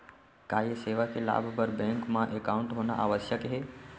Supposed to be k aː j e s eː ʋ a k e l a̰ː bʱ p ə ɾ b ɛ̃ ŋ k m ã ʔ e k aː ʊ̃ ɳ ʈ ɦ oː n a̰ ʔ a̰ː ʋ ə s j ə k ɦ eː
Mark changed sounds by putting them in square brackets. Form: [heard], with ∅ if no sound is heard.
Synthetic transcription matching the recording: k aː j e s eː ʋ a k e l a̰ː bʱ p ə ɾ b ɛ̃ ŋ k m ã ʔ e k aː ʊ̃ ɳ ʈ ɦ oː n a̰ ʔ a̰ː ʋ ə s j ə k ɦ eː